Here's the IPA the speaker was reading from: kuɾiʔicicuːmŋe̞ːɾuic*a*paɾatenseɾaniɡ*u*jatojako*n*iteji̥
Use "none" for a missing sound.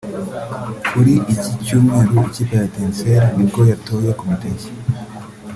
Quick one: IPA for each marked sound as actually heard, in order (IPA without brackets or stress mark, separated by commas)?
i, o, m